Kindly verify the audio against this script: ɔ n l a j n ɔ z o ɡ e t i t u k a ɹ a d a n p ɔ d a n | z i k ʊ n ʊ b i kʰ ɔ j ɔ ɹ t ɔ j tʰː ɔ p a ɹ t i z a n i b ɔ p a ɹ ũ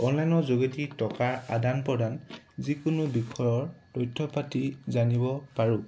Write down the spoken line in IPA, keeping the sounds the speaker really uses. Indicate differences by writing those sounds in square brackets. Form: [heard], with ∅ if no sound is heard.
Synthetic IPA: ɔ n l a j n ɔ z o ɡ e t i t [ɔ] k a ɹ a d a n p ɔ d a n | z i k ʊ n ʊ b i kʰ ɔ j ɔ ɹ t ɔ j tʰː ɔ p a [∅] t i z a n i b ɔ p a ɹ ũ